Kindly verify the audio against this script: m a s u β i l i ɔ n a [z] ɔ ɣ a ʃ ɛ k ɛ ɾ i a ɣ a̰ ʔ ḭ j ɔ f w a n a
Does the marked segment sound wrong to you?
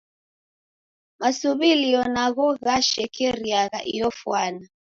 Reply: yes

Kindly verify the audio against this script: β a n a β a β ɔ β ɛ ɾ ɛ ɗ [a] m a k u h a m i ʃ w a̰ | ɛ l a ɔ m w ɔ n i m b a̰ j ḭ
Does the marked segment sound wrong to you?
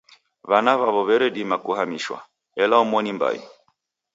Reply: yes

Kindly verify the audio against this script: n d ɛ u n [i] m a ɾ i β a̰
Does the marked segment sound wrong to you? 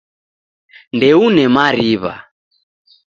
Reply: yes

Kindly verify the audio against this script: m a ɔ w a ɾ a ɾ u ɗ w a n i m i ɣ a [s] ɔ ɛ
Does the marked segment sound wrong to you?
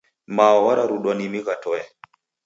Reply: yes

